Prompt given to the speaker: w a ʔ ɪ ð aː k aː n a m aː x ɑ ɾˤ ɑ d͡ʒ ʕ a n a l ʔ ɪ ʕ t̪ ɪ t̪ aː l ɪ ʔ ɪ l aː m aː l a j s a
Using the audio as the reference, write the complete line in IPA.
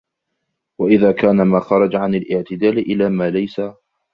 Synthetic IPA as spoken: w a ʔ ɪ ð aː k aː n a m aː x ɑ ɾˤ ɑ d͡ʒ ʕ a n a l ʔ ɪ ʕ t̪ ɪ d̪ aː l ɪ ʔ ɪ l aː m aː l a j s a